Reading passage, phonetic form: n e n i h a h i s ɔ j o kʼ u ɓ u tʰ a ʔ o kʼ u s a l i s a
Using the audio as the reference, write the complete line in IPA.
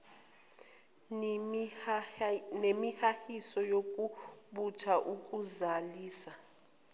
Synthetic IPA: n e m i h a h i s ɔ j o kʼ u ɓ u tʰ a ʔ u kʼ u z a l iː s a